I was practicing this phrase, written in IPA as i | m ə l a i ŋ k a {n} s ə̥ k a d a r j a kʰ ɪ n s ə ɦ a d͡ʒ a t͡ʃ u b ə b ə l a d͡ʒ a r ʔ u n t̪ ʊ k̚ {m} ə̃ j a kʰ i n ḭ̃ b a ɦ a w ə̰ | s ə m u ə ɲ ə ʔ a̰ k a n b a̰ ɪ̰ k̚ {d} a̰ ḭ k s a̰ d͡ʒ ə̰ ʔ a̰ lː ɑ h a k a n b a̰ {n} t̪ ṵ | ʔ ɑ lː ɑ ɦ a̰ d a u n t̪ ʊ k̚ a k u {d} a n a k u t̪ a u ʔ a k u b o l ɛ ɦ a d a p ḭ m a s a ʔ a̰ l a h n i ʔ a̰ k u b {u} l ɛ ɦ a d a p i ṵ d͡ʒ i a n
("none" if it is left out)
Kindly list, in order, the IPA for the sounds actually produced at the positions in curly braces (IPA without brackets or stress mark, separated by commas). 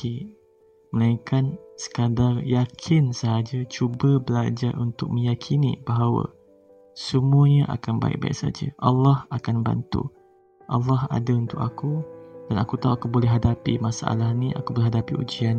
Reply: n, m, b, n, d, o